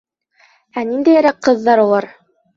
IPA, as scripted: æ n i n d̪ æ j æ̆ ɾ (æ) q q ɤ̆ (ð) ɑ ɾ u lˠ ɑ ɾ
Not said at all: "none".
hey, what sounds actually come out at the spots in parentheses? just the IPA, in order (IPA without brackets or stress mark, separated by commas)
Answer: æ, ðː